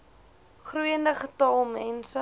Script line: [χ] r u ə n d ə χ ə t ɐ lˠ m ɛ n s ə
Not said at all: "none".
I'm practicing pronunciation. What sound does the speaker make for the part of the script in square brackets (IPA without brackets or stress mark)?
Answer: χ